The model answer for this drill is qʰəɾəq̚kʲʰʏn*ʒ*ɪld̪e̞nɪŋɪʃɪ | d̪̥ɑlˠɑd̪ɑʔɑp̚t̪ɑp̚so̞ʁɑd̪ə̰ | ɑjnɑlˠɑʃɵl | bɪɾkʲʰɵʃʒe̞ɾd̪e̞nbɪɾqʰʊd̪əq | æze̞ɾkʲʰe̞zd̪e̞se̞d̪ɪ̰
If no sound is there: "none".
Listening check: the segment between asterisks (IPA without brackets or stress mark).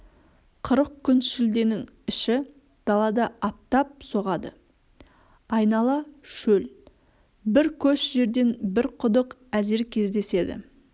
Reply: ʃ